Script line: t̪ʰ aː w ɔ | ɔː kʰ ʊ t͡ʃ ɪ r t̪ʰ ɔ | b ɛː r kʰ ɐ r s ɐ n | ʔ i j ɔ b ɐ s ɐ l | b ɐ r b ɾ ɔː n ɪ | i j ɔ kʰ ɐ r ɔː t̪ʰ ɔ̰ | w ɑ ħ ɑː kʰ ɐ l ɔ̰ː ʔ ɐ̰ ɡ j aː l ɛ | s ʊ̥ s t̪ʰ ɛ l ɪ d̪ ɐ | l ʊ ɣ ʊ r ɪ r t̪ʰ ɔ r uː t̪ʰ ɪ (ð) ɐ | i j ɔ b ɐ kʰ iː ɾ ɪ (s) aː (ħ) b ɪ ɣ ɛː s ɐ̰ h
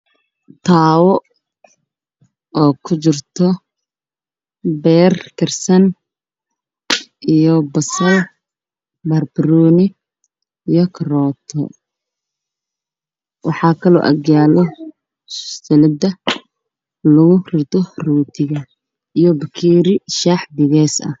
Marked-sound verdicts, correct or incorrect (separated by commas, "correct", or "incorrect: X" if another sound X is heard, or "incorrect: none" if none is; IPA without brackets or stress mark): incorrect: ɣ, incorrect: ʃ, correct